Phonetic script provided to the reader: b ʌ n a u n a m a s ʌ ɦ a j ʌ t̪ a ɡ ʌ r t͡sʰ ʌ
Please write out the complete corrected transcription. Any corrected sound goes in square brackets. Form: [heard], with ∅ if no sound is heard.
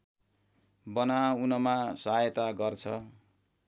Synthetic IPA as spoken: b ʌ n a u n [ʌ] m a s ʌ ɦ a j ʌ t̪ a ɡ ʌ r t͡sʰ ʌ